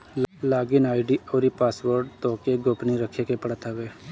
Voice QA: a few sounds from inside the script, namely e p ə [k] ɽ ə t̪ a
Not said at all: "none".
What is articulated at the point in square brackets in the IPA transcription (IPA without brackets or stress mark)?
none